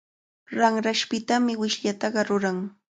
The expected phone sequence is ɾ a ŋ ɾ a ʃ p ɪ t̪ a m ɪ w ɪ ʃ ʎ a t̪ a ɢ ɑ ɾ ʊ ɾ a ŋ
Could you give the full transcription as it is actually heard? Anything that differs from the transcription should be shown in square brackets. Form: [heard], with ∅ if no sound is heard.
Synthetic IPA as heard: ɾ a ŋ ɾ a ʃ p ɪ t̪ a m ɪ w ɪ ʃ ʎ a t̪ [ɑ] ɢ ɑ ɾ ʊ ɾ a ŋ